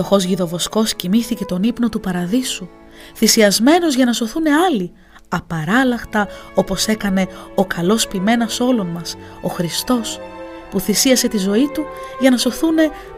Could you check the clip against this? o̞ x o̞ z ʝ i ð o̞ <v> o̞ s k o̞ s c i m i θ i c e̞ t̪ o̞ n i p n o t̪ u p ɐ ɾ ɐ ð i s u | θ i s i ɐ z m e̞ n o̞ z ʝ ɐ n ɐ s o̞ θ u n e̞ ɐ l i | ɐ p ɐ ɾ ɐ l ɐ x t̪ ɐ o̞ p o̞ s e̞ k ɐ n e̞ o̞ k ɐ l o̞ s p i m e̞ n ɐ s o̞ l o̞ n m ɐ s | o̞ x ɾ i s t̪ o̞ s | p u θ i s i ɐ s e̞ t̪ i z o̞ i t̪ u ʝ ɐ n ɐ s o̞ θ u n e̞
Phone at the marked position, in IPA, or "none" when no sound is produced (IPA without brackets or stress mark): v